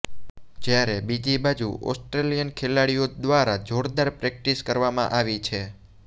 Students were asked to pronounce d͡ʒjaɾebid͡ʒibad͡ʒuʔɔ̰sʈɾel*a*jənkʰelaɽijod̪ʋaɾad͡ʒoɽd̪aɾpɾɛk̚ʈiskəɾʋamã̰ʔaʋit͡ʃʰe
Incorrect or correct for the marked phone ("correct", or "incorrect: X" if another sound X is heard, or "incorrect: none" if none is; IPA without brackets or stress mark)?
incorrect: i